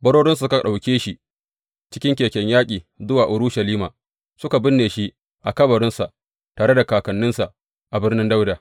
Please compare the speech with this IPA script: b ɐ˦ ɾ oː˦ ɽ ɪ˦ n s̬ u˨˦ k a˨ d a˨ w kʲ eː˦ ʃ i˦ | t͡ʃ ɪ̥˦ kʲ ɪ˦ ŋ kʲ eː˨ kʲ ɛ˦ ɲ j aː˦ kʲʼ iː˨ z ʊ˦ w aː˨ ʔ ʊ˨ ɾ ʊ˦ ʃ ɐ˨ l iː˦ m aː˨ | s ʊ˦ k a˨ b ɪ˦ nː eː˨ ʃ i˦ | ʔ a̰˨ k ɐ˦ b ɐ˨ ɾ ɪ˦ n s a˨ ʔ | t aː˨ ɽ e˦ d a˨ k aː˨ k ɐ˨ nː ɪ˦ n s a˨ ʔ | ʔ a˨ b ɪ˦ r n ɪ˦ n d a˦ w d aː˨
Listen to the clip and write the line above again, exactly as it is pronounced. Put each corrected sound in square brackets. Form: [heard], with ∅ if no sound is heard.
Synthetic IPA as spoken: b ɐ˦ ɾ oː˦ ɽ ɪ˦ n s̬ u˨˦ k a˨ [ɗ] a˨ w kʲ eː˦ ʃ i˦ | t͡ʃ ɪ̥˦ kʲ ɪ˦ ŋ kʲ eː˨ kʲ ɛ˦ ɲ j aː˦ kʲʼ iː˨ z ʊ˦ w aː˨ ʔ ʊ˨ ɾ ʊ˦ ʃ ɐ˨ l iː˦ m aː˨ | s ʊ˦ k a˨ b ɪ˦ nː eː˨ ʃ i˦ | ʔ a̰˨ k ɐ˦ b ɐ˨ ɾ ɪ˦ n s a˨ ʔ | t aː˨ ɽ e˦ d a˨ k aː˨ k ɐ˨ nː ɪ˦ n s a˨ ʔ | ʔ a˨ b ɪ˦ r n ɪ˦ n d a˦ w d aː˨